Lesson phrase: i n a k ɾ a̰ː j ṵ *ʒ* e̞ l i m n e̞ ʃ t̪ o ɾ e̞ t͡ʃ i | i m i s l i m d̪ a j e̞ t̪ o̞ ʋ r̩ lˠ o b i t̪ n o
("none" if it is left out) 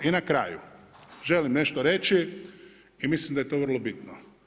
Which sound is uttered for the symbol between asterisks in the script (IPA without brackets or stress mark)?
ʒ